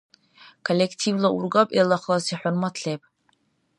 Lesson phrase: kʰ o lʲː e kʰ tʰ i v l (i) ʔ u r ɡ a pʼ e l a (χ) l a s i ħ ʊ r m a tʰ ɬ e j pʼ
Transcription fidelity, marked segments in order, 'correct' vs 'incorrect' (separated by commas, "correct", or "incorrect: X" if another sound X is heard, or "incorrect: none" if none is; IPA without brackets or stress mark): incorrect: a, correct